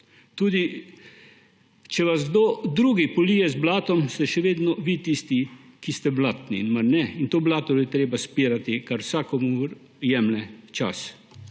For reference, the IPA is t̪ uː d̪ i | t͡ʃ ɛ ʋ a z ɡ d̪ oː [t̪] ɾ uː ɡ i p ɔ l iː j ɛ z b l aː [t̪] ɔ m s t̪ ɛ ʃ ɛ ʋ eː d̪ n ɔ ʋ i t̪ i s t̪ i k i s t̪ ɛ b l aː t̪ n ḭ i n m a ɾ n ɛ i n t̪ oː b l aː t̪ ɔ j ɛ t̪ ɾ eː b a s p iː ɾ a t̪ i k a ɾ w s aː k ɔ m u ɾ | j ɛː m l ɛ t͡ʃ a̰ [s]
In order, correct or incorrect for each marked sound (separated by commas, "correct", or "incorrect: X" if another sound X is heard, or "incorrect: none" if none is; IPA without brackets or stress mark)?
incorrect: d̪, correct, correct